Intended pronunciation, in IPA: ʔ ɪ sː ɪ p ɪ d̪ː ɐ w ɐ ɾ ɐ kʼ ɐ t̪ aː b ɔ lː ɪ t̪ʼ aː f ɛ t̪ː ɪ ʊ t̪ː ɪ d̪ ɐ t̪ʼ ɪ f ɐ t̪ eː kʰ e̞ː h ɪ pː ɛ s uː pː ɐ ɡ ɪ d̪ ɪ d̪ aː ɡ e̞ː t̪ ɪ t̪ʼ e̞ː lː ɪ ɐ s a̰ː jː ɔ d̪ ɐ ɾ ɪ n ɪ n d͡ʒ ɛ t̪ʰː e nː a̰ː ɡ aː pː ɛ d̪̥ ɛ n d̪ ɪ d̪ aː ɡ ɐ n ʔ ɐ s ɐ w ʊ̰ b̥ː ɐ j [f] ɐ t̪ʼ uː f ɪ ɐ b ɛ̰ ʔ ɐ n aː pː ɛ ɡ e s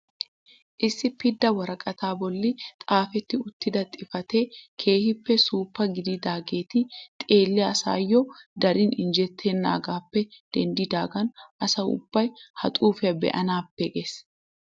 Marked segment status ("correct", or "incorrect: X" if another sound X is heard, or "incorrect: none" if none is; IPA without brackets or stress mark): incorrect: h